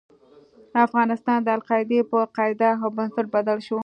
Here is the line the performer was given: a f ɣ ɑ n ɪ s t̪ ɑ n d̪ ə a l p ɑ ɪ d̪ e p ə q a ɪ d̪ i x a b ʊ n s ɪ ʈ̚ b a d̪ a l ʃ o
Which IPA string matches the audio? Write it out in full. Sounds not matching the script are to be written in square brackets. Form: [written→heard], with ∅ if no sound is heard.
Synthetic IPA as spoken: a f ɣ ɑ n ɪ s t̪ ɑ n d̪ ə a l [p→q] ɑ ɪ d̪ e p ə q [a→ɑ] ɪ d̪ [i→a] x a b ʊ n s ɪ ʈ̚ b a d̪ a l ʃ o